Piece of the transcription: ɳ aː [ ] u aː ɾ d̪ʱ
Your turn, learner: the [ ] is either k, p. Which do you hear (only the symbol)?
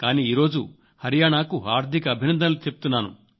k